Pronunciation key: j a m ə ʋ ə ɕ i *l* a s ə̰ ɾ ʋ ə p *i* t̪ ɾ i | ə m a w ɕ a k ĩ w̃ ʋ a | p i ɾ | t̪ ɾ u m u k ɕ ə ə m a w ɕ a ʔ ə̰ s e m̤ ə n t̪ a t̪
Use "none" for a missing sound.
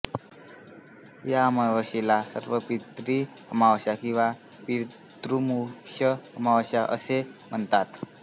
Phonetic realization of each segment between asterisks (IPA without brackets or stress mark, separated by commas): l, i